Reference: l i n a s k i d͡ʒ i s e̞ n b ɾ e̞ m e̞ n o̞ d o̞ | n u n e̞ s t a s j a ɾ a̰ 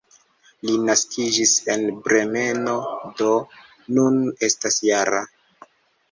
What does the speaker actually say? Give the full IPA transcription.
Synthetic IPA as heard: l i n a s k i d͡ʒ i s e̞ n b ɾ e̞ m e̞ n o̞ d o̞ | n u n e̞ s t a s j a ɾ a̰